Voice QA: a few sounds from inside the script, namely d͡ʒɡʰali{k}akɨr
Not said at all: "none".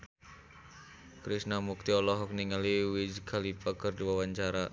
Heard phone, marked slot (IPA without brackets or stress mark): p